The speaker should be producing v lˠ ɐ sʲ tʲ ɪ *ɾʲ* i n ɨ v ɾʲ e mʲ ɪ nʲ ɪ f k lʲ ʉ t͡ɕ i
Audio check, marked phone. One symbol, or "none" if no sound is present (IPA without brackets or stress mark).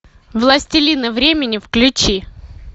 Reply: lʲ